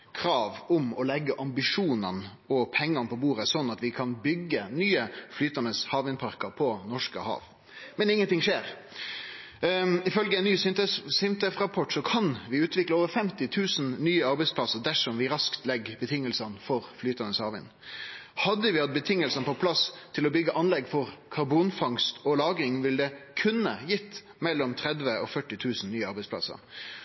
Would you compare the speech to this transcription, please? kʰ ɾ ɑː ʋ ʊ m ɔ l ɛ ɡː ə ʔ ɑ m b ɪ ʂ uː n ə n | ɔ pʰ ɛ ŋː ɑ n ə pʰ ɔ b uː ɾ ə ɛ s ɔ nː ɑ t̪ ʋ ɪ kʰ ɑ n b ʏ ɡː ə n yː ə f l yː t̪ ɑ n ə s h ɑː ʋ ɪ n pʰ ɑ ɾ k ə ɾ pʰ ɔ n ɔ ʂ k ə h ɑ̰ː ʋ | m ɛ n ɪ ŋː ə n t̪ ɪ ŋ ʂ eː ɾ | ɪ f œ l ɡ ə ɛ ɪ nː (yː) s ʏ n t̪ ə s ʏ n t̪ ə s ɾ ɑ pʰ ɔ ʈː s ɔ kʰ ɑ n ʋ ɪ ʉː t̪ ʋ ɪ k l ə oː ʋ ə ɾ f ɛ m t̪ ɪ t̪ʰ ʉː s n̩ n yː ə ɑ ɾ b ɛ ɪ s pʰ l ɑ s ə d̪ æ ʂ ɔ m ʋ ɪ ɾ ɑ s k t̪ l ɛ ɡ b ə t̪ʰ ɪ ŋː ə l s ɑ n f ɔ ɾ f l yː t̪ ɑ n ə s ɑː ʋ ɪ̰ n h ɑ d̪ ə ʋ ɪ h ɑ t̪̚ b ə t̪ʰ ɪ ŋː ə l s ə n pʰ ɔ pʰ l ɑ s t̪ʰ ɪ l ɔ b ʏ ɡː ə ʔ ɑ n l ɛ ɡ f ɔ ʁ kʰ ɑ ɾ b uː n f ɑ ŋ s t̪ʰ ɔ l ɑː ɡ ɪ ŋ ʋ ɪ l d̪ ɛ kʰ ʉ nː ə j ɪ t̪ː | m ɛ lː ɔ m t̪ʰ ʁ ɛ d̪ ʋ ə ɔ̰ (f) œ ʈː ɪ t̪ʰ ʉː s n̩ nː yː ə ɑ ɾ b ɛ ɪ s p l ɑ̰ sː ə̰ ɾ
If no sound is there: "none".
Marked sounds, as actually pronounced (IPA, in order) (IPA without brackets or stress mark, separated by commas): yː, f